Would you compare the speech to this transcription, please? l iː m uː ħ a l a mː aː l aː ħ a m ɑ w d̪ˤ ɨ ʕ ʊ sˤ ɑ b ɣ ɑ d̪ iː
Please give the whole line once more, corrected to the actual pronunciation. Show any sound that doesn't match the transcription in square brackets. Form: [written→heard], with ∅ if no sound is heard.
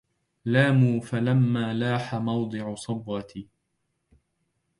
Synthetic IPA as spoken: l [iː→aː] m uː [ħ→f] a l a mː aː l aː ħ a m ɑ w d̪ˤ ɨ ʕ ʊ sˤ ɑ b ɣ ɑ [d̪→t̪] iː